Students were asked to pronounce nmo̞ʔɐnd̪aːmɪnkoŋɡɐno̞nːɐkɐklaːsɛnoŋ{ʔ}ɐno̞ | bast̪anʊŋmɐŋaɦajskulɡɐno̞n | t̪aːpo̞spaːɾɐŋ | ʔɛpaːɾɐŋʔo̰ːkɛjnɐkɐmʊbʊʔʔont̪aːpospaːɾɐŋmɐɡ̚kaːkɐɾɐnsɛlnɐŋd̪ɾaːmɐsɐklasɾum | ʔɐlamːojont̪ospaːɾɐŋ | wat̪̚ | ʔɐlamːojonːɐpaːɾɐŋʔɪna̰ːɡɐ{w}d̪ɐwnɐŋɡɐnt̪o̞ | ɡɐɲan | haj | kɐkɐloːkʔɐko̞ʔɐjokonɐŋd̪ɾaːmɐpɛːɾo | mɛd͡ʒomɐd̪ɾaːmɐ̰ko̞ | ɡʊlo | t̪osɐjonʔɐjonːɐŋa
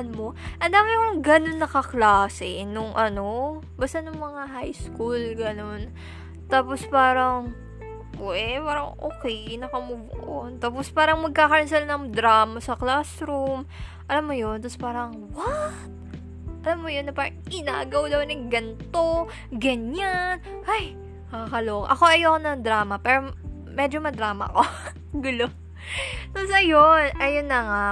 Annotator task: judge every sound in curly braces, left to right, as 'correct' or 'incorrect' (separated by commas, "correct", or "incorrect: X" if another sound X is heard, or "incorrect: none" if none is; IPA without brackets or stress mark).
correct, correct